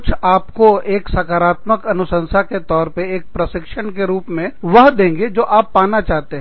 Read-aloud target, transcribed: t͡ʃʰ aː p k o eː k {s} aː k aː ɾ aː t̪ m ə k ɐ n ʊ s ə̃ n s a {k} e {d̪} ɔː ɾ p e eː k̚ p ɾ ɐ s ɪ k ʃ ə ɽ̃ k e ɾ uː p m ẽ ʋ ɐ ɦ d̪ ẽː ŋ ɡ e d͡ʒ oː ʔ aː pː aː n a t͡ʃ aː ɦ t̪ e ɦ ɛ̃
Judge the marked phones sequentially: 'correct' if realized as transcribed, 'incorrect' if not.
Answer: correct, correct, incorrect

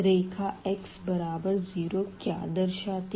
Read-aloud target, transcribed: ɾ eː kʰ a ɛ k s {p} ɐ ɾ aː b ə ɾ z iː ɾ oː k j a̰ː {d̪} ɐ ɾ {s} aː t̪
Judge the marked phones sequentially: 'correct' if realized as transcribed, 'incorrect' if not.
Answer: incorrect, correct, incorrect

